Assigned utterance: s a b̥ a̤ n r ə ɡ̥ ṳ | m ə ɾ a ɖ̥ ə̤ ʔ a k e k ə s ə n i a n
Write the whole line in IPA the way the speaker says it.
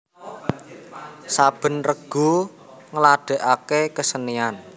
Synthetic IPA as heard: s a b̥ ə̤ n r ə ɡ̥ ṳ | ŋ ə l a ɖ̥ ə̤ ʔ a k e k ə s ə n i a n